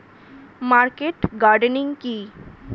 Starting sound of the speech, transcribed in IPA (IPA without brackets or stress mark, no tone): m